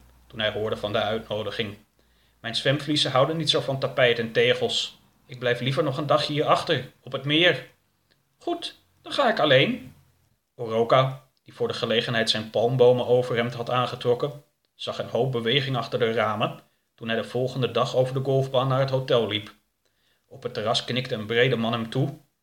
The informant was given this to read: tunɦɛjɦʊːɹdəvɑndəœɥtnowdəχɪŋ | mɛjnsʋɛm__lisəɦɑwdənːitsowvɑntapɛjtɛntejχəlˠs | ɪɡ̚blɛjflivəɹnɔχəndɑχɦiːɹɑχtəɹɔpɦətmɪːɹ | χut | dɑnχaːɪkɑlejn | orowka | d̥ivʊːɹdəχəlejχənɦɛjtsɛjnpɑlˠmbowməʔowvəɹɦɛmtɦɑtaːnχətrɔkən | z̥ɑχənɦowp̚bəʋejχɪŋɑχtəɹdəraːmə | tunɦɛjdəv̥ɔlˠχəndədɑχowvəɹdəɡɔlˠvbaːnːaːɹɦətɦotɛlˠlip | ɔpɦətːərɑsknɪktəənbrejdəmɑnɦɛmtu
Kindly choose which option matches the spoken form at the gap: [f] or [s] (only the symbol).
f